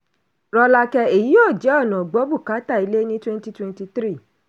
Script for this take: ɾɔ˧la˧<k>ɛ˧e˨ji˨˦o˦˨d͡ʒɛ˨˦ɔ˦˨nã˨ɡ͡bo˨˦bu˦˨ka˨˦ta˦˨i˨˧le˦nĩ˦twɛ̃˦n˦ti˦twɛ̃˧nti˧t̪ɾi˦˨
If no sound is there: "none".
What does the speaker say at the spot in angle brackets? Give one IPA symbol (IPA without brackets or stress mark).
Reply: k